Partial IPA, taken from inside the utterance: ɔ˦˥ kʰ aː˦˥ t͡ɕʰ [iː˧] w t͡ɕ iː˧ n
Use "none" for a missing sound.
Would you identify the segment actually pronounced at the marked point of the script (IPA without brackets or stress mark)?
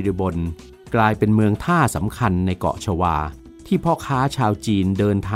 aː˧